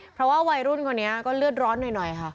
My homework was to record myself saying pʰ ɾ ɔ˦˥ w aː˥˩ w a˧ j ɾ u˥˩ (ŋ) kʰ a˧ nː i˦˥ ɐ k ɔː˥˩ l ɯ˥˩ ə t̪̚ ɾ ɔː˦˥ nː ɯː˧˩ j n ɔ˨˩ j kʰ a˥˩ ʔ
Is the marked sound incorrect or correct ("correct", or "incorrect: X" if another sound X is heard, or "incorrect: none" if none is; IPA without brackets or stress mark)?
incorrect: n